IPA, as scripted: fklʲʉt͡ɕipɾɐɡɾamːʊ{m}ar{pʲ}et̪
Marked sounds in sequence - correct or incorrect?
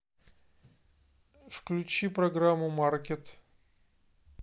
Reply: correct, incorrect: kʲ

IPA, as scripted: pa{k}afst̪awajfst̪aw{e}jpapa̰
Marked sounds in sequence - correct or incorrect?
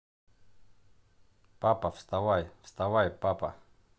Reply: incorrect: p, incorrect: a

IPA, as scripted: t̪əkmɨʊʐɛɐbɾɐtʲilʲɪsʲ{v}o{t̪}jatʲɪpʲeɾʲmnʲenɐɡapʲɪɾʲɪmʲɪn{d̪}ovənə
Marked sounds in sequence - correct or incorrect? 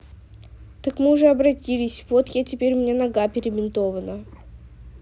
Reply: correct, correct, incorrect: t̪

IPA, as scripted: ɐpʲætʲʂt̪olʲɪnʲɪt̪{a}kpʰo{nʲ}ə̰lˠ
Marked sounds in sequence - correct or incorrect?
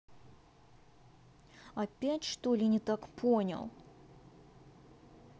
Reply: correct, correct

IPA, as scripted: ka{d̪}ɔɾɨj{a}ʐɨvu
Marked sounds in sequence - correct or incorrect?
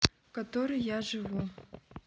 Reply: incorrect: t̪, correct

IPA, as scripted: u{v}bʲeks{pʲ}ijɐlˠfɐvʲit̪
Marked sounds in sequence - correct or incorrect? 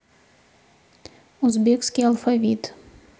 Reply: incorrect: z, incorrect: kʲ

